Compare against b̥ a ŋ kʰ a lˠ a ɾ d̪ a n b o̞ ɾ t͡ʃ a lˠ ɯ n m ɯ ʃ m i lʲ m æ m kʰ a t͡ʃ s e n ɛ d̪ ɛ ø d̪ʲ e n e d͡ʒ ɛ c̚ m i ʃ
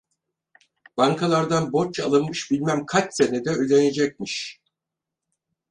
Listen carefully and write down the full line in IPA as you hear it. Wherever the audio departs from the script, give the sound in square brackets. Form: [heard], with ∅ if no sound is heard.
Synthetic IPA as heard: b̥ a ŋ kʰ a lˠ a ɾ d̪ a n b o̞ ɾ t͡ʃ a lˠ ɯ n m ɯ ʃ [b] i lʲ m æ m kʰ a t͡ʃ s e n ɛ d̪ ɛ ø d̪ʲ e n e d͡ʒ ɛ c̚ m i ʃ